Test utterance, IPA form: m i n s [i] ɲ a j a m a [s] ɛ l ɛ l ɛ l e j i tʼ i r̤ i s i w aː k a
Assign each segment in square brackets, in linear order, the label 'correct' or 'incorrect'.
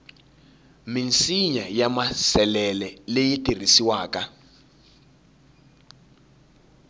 correct, correct

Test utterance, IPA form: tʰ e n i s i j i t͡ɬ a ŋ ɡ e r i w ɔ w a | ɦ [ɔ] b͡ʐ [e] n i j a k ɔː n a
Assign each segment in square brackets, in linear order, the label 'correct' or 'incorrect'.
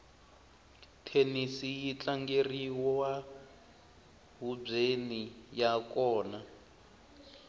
incorrect: u, correct

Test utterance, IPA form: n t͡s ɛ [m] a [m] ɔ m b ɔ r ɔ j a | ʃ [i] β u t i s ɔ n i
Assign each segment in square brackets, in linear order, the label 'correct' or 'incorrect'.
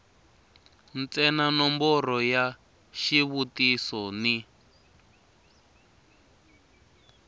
incorrect: n, incorrect: n, correct

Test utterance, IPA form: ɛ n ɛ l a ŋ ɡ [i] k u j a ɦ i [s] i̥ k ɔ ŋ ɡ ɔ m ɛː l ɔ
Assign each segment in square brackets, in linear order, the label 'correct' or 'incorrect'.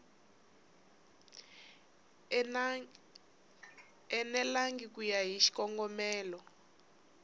correct, incorrect: ʃ

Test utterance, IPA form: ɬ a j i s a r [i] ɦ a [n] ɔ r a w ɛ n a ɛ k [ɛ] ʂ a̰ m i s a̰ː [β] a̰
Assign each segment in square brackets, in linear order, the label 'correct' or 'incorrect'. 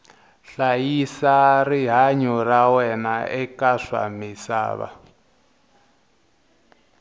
correct, incorrect: ɲ, incorrect: a, correct

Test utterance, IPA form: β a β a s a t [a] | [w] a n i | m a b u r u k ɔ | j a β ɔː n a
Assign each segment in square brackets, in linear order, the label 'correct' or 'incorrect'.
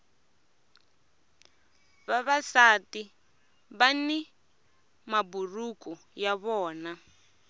incorrect: i, incorrect: β

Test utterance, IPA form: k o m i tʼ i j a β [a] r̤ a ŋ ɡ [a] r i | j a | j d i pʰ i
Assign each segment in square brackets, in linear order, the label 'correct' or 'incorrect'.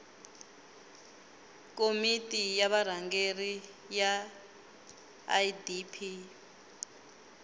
correct, incorrect: e

